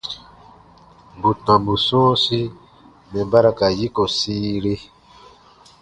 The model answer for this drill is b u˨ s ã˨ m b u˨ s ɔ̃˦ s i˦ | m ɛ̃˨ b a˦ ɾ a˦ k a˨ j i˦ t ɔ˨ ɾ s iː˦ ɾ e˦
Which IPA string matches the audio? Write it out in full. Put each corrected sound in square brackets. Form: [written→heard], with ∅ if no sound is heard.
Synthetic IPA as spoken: b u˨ [s→t] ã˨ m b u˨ s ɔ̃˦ s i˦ | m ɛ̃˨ b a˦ ɾ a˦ k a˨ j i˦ [t→k] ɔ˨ [ɾ→∅] s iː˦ ɾ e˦